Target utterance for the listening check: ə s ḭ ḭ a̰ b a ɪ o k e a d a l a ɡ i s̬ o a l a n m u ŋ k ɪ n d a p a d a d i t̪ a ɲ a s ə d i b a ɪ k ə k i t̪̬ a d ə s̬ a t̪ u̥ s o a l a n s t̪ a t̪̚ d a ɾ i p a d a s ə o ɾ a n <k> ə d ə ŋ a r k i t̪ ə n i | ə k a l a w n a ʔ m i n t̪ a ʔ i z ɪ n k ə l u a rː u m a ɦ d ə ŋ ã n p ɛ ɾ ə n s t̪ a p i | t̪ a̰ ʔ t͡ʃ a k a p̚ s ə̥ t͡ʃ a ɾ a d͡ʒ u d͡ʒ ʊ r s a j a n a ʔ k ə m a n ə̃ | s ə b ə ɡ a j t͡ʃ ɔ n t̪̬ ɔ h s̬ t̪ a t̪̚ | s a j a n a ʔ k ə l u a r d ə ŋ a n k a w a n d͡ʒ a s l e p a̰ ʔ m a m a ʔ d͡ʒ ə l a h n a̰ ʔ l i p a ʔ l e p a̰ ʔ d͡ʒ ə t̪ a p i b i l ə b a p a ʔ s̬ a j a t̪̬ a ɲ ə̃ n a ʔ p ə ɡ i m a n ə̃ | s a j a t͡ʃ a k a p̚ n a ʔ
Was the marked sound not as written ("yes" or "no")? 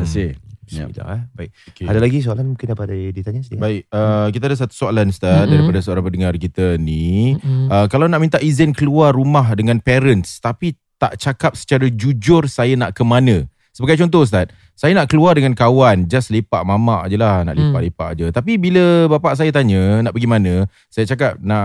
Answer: yes